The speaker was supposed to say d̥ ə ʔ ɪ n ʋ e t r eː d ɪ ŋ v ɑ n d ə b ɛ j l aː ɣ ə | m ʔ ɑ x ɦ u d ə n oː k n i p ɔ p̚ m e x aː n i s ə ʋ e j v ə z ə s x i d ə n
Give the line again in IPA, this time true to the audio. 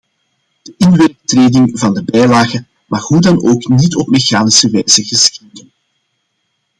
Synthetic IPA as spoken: d̥ ə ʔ ɪ n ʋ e t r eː d ɪ ŋ v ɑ n d ə b ɛ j l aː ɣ ə | m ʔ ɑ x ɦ u d ɑ n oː k n i t ɔ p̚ m e x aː n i s ə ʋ ɛ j z ə ɣ ə s x i d ə n